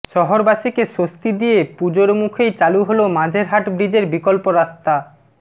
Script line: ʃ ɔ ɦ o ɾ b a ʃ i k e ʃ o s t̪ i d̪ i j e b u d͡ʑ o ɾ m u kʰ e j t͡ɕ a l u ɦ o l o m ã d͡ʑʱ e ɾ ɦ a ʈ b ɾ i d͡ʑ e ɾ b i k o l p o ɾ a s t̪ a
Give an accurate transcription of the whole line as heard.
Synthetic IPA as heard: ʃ ɔ ɦ o ɾ b a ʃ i k e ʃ o s t̪ i d̪ i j e p u d͡ʑ o ɾ m u kʰ e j t͡ɕ a l u ɦ o l o m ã d͡ʑʱ e ɾ ɦ a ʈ b ɾ i d͡ʑ e ɾ b i k o l p o ɾ a s t̪ a